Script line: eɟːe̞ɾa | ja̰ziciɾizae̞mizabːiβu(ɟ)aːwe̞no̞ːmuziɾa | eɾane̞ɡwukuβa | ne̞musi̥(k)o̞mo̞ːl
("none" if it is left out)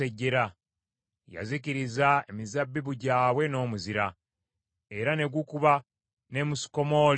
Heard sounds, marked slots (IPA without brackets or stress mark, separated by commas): ɟ, k